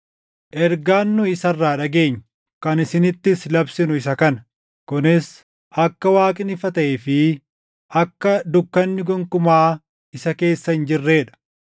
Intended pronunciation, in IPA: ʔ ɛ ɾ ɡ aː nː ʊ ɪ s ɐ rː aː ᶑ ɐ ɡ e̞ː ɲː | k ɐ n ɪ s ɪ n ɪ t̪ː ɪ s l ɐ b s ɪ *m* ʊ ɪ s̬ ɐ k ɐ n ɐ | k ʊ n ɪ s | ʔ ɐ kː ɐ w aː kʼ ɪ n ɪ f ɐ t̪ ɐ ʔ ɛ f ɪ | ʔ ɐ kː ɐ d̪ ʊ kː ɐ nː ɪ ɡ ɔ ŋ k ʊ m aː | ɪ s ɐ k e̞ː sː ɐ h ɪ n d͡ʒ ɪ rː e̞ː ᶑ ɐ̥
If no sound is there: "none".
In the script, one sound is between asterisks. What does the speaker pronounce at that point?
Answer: n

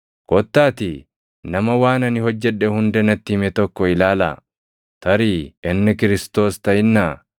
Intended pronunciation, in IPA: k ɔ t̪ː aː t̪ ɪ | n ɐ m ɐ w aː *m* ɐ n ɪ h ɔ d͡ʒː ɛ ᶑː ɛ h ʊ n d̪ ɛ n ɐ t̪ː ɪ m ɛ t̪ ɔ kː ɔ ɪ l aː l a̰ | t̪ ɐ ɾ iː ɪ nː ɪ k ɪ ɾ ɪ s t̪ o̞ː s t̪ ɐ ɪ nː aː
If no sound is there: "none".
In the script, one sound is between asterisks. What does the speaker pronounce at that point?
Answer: n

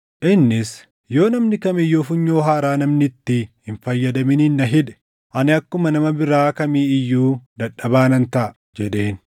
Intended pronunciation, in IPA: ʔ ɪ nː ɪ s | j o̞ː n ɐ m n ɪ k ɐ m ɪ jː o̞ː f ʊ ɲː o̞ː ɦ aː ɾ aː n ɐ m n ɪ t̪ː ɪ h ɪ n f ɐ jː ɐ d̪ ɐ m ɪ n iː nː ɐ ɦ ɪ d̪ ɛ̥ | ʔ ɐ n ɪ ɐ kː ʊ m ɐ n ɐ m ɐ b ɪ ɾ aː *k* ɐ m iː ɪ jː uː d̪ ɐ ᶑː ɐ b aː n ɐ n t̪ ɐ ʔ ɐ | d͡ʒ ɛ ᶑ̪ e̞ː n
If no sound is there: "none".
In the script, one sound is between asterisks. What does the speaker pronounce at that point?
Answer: k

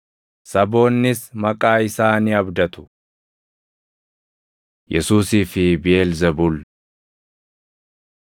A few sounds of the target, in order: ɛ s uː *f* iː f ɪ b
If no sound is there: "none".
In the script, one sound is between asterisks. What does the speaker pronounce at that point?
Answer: s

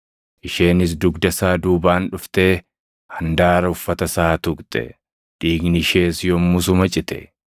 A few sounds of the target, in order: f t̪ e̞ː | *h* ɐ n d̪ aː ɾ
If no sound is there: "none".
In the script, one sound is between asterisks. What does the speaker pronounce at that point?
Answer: h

